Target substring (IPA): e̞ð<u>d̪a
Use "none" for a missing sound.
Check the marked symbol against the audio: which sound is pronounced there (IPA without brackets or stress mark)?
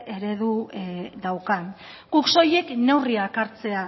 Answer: u